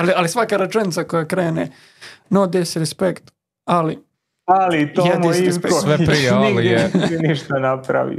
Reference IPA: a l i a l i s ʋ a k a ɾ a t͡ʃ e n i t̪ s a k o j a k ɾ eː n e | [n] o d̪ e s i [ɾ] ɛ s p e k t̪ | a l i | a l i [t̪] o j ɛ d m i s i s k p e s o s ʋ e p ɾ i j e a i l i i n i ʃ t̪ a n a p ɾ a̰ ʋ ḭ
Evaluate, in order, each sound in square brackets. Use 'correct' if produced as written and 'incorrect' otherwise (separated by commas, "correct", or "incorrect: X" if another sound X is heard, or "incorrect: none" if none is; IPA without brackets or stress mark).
correct, correct, correct